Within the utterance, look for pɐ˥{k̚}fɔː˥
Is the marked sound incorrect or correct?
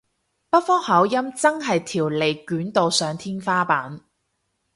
incorrect